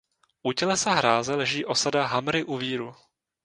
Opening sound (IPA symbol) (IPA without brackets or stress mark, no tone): ʔ